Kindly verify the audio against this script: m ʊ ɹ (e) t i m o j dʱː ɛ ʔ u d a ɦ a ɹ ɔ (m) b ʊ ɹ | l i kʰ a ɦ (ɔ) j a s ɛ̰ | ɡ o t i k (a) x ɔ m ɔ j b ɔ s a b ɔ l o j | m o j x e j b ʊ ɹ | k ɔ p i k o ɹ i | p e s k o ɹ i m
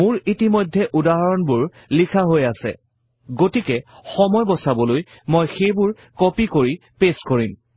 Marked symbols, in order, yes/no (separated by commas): no, no, no, no